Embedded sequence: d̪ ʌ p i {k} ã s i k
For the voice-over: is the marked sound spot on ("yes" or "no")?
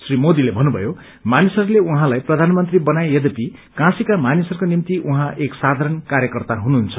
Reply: yes